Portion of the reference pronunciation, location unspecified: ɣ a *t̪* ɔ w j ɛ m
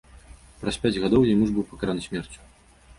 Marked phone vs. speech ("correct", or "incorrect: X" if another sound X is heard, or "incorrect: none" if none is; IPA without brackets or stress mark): incorrect: d̪